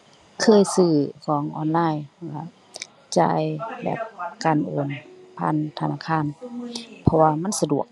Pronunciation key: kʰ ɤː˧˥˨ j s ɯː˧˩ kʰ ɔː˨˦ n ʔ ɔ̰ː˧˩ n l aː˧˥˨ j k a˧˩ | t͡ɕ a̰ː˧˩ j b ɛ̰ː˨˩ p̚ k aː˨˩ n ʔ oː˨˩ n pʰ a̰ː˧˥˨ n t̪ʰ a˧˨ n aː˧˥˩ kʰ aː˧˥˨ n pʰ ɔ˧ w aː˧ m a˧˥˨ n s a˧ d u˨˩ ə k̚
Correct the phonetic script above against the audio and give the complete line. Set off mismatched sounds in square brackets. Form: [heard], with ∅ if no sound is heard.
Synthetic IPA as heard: kʰ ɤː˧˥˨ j s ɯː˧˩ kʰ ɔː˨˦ [ŋ] ʔ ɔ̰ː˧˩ n l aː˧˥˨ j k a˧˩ | t͡ɕ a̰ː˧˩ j b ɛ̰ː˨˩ p̚ k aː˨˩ n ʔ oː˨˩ n pʰ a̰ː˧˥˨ n t̪ʰ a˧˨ n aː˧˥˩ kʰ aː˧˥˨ n pʰ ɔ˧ w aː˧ m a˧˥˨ n s a˧ d u˨˩ ə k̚